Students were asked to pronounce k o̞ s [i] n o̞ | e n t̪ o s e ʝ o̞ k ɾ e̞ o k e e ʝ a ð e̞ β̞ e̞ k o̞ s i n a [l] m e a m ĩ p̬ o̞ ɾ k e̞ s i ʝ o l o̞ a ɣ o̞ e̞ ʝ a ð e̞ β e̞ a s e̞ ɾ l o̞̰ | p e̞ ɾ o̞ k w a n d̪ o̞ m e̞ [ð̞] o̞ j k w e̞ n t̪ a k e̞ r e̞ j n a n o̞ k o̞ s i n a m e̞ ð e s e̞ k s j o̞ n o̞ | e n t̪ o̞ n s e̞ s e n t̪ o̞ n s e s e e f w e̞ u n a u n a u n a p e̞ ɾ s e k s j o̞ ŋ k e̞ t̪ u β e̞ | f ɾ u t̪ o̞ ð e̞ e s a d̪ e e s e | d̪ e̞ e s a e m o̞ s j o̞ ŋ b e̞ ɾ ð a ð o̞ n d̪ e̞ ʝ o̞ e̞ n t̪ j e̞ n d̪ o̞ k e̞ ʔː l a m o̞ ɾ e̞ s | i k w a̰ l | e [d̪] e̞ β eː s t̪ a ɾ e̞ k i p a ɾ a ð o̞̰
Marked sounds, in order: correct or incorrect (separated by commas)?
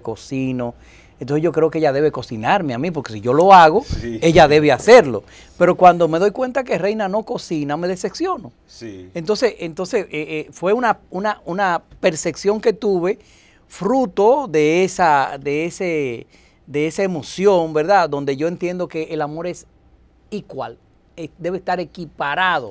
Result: correct, incorrect, correct, correct